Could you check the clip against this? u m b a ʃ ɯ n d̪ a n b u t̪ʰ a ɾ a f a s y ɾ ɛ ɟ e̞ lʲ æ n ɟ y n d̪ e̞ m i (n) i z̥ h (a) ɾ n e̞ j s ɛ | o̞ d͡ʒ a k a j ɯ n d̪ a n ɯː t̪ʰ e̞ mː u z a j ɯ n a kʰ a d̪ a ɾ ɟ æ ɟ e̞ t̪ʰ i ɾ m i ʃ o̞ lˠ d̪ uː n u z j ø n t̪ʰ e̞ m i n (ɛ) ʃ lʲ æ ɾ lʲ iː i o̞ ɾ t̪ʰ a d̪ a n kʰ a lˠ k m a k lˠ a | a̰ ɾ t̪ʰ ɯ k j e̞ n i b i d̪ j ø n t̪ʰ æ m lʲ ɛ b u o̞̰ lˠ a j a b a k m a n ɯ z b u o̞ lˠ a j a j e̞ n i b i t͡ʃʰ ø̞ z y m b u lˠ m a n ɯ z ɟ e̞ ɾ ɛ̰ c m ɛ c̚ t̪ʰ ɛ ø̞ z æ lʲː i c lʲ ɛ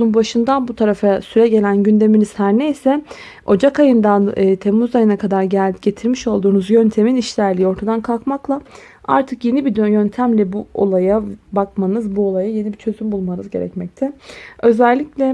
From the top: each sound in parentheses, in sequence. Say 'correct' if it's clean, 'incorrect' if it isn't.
correct, incorrect, incorrect

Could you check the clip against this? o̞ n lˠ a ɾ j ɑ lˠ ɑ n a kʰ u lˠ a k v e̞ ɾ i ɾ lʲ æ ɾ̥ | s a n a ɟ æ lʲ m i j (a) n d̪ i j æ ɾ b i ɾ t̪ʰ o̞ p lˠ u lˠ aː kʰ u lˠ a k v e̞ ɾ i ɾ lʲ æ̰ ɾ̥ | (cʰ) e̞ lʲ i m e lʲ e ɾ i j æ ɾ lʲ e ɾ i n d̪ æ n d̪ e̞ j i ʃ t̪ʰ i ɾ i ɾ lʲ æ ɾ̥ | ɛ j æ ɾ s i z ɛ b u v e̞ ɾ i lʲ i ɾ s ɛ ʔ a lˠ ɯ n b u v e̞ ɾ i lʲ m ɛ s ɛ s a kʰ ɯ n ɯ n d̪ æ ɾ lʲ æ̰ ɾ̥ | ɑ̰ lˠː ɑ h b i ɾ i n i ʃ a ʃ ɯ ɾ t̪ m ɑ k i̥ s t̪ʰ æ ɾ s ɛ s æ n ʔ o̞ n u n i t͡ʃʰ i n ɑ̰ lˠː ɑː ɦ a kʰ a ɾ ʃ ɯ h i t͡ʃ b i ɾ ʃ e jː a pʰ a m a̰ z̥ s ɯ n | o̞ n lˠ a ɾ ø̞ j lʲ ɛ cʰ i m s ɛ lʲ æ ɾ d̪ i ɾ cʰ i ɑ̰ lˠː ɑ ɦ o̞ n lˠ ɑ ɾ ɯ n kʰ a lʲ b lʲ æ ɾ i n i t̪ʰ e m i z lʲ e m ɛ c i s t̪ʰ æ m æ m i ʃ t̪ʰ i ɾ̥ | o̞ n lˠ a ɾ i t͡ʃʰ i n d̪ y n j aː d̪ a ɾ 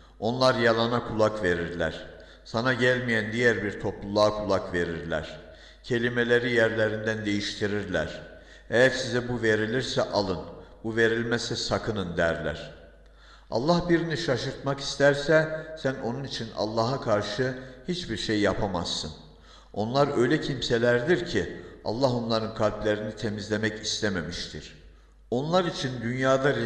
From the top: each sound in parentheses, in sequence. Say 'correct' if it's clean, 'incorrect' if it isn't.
incorrect, correct

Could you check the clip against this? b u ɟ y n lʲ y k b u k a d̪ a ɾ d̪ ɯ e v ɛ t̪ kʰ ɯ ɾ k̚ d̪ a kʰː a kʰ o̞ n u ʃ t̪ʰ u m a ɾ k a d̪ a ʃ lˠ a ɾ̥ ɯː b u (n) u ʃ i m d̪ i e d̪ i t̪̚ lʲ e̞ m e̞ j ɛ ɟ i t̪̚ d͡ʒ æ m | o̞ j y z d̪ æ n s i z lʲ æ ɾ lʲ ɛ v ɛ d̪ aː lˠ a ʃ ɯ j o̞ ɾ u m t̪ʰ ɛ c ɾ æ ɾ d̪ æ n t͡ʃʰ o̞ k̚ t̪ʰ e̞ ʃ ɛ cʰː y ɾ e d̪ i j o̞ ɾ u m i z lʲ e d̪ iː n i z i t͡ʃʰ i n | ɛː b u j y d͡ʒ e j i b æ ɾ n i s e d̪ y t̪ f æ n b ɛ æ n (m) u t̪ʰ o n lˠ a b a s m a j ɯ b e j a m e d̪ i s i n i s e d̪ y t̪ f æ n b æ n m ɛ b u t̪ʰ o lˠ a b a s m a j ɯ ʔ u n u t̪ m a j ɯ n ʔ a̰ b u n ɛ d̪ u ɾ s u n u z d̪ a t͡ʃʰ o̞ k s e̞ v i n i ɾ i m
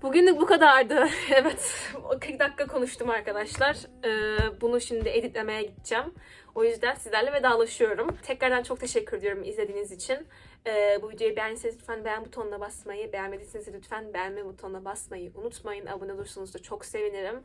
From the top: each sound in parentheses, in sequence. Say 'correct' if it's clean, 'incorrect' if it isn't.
correct, incorrect

